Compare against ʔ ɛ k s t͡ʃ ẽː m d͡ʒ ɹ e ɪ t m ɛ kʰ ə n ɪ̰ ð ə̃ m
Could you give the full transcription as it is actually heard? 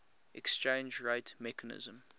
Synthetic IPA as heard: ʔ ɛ k s t͡ʃ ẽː n d͡ʒ ɹ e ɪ t m ɛ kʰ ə n ɪ̰ z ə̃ m